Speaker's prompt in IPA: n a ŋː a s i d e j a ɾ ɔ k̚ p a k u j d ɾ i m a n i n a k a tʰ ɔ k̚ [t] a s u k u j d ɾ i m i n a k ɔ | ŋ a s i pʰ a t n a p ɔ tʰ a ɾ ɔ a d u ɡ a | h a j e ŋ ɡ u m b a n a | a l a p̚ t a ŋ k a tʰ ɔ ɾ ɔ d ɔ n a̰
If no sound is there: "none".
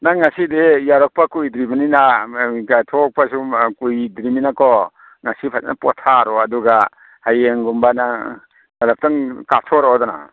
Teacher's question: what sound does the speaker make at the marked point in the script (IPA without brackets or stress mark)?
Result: p